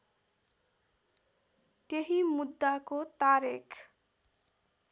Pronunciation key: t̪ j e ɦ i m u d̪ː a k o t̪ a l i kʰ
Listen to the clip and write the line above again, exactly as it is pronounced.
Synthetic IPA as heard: t̪ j e ɦ i m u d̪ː a k o t̪ a ɾ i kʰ

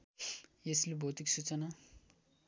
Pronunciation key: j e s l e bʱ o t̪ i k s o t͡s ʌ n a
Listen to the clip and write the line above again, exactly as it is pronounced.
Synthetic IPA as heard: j e s l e bʱ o t̪ i k s u t͡s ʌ n a

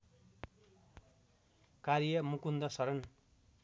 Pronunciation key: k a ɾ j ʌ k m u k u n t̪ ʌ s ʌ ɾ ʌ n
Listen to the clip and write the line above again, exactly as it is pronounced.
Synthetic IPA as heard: k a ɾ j ʌ m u k u n d̪ ʌ s ʌ ɾ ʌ n

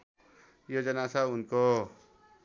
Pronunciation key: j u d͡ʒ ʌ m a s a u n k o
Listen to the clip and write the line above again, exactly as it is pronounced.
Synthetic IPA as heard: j o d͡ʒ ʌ n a s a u n k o

